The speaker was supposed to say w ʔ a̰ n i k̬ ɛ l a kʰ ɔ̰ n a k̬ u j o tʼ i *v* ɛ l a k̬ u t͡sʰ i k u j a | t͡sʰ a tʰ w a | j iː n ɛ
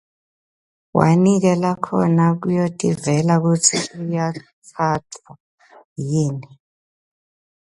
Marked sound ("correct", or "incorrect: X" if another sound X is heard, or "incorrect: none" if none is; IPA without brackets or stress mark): correct